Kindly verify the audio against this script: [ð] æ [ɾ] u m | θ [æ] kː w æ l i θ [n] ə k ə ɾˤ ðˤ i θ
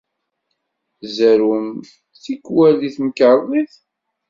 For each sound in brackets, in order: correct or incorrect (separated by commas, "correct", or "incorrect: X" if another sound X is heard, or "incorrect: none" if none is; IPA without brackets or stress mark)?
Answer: incorrect: z, correct, incorrect: i, incorrect: m